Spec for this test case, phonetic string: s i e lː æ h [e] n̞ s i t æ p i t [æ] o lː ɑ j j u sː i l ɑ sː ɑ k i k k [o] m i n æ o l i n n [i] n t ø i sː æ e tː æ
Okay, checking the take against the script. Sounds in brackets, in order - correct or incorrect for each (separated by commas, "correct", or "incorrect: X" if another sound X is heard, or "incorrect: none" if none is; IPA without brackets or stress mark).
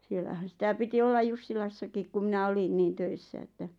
incorrect: æ, incorrect: i, incorrect: u, incorrect: iː